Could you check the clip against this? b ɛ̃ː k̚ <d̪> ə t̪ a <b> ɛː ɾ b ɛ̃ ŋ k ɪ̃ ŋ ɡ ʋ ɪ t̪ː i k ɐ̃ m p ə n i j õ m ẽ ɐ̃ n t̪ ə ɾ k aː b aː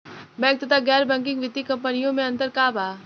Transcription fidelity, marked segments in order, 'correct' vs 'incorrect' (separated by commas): incorrect, incorrect